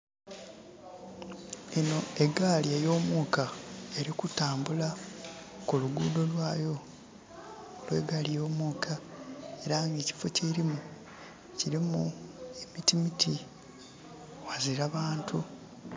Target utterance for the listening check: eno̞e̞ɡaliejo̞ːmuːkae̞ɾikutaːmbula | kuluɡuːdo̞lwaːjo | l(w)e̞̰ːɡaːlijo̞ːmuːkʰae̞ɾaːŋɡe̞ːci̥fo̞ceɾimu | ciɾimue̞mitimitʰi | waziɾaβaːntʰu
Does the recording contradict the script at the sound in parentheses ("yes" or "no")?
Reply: no